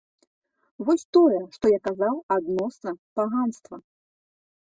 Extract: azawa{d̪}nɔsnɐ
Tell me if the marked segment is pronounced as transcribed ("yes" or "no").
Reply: yes